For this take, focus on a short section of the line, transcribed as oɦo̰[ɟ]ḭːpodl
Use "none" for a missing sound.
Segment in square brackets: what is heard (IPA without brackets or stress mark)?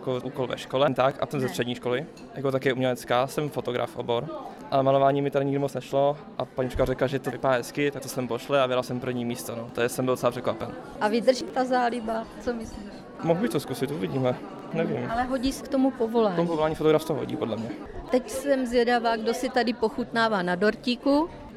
ɟ